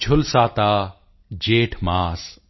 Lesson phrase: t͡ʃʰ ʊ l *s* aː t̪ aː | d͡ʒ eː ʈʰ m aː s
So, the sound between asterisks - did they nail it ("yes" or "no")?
yes